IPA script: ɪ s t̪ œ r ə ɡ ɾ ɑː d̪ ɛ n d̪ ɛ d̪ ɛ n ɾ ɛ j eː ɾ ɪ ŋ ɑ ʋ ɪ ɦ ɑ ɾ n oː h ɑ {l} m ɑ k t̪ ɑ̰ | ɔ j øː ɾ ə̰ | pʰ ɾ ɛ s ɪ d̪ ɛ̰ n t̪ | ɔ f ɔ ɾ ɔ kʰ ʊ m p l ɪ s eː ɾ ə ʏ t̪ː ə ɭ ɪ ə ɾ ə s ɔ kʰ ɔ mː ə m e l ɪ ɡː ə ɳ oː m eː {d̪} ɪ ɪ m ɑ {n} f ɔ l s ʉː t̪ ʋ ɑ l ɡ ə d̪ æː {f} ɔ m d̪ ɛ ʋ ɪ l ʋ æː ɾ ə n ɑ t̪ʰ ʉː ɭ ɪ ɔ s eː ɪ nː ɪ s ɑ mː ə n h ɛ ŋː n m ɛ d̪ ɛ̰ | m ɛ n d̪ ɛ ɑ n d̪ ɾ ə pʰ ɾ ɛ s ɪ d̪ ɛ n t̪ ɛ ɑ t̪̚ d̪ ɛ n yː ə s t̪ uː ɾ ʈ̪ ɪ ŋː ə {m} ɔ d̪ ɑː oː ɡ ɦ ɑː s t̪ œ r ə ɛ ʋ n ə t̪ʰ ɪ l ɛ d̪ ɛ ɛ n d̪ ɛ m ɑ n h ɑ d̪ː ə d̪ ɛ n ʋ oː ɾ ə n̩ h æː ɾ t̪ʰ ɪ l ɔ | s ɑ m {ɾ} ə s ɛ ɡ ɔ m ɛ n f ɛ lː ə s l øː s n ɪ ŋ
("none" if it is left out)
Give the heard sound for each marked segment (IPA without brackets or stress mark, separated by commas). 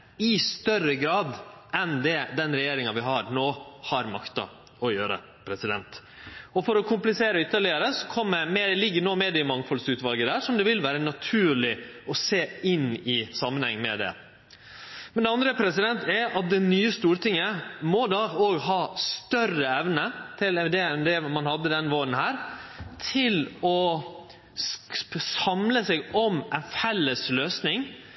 ɾ, d̪, ŋ, ʂ, m, l